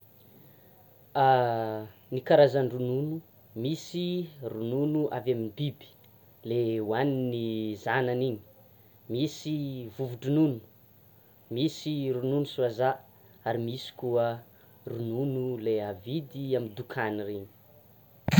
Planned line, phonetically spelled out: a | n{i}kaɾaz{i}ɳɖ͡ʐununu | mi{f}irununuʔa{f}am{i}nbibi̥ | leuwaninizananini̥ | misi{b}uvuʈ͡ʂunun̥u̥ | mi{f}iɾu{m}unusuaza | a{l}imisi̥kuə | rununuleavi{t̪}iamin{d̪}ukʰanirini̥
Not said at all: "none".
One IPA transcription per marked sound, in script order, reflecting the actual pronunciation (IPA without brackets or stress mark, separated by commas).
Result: i, a, s, v, i, v, s, n, ɾ, d̪, d̪